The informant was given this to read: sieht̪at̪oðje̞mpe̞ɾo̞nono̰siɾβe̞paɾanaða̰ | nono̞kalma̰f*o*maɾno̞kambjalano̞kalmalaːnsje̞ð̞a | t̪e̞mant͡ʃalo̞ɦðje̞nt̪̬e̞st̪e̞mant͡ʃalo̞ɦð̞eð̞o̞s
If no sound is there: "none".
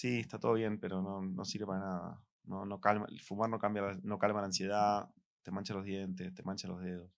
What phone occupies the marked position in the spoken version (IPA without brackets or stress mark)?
u